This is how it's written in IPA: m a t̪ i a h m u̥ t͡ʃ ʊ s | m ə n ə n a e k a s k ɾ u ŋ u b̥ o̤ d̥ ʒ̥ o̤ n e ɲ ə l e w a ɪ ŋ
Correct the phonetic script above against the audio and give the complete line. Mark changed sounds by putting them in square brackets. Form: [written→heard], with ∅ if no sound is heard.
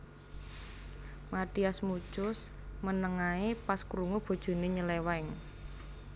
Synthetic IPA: m a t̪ i a [h→s] m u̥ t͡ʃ ʊ s | m ə n ə [n→ŋ] a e [k→p] a s k ɾ u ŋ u b̥ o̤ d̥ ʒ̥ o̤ n e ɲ ə l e w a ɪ ŋ